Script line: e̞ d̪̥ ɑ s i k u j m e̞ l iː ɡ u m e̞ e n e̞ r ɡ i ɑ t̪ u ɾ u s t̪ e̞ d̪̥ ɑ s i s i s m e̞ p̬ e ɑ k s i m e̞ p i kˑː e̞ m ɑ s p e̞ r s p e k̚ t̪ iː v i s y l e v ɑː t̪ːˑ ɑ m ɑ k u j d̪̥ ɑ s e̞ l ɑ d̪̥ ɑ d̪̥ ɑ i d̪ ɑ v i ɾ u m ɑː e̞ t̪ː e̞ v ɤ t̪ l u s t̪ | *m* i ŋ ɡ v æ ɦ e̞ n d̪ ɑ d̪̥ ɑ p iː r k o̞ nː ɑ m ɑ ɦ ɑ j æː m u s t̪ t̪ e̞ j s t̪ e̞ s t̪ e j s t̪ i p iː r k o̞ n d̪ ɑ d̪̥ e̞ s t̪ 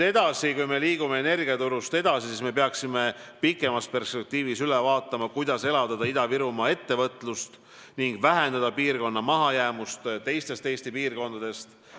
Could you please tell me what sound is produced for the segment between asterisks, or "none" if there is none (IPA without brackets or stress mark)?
n